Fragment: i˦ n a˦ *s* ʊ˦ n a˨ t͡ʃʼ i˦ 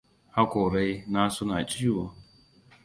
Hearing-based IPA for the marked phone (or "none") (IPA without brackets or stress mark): s